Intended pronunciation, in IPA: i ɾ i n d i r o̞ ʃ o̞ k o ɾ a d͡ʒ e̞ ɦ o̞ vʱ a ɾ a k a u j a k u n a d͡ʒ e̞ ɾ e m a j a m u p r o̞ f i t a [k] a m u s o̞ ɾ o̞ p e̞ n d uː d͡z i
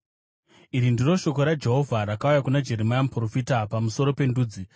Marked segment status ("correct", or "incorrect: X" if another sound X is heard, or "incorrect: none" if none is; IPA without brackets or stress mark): incorrect: p